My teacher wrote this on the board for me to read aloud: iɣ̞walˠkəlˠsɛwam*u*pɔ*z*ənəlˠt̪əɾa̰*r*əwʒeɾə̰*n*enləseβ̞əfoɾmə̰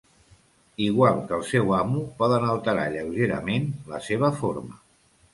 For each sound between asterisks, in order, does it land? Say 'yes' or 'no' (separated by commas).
yes, no, no, no